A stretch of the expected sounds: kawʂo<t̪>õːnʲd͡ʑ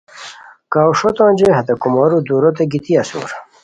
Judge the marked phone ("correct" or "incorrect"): correct